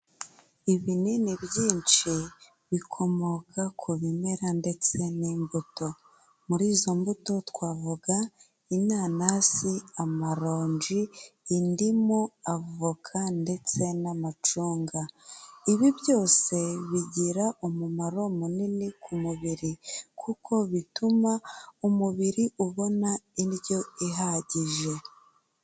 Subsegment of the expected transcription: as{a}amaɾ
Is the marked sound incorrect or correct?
incorrect